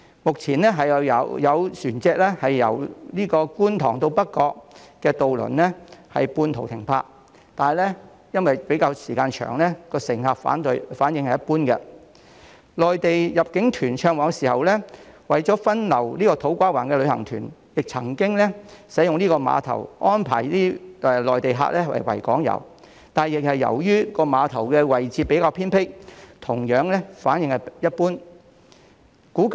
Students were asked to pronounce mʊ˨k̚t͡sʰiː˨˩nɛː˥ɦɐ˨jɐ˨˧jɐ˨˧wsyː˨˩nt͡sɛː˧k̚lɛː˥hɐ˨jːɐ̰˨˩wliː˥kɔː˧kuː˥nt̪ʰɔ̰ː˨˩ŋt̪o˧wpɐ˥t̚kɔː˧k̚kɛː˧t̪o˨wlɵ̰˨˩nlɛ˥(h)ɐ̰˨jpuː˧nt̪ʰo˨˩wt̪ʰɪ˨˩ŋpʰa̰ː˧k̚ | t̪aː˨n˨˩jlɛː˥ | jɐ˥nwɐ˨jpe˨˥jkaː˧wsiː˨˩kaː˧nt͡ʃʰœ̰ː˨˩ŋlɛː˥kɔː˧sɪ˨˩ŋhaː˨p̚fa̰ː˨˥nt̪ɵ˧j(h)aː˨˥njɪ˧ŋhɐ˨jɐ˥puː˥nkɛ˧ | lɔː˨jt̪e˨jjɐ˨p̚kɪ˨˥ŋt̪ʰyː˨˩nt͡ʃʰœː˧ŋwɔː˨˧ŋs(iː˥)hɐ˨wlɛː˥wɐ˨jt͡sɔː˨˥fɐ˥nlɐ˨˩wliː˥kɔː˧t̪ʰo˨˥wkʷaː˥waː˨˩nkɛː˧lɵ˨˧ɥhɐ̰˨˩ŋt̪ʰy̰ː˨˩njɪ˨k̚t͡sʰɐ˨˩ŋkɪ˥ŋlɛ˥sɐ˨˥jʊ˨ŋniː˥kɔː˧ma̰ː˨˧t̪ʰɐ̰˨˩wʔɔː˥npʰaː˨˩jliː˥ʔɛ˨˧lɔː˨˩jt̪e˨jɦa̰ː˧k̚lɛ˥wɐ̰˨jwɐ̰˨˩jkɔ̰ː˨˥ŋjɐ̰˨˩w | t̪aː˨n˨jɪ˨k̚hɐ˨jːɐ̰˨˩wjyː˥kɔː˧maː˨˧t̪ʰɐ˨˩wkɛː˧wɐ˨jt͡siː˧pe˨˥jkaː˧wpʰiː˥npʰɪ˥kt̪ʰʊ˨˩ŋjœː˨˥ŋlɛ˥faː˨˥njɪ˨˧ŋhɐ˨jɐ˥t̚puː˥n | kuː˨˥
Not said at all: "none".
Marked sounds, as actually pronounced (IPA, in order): h, f, iː˨˩

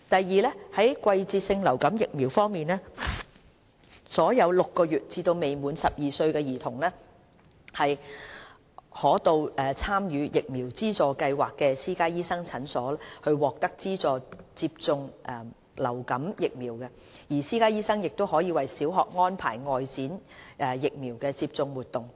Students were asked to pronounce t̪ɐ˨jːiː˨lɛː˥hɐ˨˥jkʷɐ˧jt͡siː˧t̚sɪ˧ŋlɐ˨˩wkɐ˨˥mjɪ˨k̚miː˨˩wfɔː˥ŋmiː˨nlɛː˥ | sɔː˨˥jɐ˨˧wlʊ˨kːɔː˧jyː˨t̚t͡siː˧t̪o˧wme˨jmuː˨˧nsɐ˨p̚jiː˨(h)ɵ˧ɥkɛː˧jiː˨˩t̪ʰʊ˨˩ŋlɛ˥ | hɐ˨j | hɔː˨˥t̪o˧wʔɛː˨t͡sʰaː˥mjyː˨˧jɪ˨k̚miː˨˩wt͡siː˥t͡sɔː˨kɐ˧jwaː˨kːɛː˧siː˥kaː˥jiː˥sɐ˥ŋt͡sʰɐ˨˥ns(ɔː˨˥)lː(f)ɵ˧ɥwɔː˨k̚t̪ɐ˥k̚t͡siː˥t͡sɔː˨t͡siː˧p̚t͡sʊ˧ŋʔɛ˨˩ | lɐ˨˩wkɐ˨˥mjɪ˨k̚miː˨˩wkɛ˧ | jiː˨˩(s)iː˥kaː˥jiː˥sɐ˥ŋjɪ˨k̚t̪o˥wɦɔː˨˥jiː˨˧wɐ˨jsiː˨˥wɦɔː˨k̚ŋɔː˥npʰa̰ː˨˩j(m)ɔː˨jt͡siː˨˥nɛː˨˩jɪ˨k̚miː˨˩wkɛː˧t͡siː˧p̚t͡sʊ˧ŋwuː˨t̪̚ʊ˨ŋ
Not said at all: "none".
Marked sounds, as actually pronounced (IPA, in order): s, ɔː˨˥, h, s, ŋ

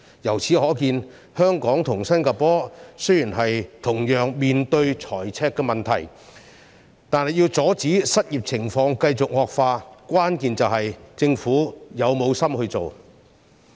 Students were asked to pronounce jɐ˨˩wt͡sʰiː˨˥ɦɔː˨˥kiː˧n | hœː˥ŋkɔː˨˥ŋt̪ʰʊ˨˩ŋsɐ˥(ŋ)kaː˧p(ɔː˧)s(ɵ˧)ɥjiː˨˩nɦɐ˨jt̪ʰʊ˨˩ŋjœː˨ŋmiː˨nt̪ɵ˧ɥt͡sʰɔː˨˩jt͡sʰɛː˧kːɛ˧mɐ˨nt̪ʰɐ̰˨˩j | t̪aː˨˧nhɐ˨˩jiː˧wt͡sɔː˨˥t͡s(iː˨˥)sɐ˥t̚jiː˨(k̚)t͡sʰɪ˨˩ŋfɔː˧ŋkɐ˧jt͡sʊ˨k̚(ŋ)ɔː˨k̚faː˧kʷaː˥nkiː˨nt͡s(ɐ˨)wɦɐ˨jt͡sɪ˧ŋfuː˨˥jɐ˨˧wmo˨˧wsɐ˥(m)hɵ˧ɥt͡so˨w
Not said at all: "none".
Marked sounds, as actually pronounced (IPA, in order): n, ɔː˥, ɵ˥, iː˨˥, p̚, ŋ, ɐ˨, m

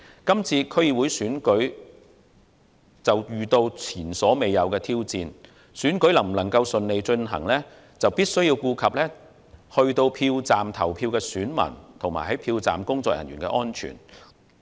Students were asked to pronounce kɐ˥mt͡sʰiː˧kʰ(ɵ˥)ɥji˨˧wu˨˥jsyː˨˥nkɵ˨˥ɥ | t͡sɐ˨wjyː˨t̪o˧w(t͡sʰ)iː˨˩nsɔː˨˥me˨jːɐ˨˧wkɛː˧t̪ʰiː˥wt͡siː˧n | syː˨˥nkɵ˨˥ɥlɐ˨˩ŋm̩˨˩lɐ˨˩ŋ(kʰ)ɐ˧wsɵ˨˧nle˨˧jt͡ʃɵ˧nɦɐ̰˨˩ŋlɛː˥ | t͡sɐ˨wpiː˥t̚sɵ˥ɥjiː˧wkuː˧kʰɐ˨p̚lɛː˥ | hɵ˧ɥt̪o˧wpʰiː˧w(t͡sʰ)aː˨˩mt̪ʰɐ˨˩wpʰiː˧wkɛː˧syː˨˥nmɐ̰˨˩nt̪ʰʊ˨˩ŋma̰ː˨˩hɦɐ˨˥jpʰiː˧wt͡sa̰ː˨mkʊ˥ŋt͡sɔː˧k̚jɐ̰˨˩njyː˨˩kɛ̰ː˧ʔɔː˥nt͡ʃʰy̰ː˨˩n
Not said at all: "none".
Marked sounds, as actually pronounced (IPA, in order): ɵ˥, t͡sʰ, k, t͡s

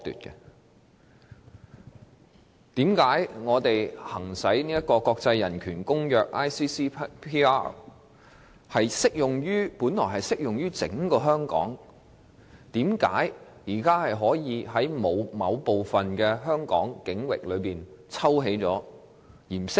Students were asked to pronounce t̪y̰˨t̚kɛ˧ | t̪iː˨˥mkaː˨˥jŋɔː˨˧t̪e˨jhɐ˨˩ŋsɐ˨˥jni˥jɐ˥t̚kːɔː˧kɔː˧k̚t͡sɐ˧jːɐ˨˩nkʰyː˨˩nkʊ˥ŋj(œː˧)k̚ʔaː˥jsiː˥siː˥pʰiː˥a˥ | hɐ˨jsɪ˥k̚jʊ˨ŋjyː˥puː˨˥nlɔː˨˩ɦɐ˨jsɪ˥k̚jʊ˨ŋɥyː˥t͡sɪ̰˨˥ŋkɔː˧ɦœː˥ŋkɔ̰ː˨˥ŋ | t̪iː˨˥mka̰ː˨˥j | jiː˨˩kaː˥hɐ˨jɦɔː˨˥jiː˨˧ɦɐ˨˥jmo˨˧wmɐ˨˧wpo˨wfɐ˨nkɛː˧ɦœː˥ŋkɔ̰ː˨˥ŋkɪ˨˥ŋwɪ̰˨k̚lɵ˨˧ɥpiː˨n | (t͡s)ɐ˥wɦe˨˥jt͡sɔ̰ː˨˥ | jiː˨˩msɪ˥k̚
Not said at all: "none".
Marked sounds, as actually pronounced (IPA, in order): œː˧, t͡sʰ

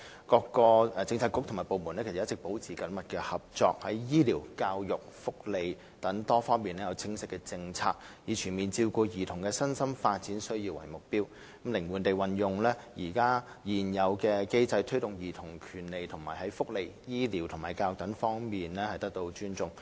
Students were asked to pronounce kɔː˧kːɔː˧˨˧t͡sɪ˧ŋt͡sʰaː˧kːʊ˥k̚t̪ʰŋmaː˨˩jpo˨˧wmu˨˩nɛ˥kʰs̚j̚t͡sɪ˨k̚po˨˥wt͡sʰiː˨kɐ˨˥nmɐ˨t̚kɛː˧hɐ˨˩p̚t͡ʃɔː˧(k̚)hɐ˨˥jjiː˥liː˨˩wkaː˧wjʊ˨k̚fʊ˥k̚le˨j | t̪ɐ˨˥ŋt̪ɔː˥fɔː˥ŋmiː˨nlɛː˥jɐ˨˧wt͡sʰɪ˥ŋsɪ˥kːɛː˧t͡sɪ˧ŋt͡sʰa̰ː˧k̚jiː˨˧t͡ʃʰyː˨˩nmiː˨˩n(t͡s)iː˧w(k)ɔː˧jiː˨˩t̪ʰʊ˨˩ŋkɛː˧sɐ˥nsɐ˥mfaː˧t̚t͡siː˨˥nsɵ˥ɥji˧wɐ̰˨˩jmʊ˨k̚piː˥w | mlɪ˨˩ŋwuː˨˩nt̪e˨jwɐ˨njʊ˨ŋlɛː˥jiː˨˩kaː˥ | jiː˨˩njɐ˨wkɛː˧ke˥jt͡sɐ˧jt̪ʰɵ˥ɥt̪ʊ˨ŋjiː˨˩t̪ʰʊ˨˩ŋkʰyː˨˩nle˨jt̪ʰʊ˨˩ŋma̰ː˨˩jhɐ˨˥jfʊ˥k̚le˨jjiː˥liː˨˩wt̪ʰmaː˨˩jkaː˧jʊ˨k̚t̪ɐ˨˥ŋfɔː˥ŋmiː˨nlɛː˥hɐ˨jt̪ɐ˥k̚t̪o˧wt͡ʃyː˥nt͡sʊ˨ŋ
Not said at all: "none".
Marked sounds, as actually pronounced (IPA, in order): k̚, t͡s, k

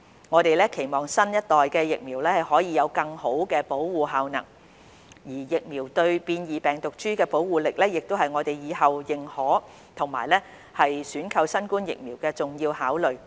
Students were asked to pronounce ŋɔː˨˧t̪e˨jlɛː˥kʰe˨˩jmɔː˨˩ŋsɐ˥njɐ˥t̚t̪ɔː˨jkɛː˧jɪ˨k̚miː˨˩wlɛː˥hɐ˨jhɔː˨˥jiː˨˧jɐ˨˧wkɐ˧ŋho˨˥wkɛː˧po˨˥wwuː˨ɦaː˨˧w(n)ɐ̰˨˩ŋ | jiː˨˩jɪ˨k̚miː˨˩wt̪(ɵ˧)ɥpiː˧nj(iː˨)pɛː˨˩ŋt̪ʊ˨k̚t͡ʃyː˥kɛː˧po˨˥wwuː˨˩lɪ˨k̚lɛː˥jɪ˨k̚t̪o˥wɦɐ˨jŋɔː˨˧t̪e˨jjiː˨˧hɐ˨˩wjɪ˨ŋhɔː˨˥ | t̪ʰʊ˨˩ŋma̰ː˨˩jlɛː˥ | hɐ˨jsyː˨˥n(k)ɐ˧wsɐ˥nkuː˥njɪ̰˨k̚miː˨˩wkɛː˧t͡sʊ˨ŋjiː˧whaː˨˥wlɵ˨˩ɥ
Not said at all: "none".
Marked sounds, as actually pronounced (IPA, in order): n, ɵ˧, iː˨, kʰ

